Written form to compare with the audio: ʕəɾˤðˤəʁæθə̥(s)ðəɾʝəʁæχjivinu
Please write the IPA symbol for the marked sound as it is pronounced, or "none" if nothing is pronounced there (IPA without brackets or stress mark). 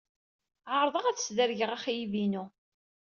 s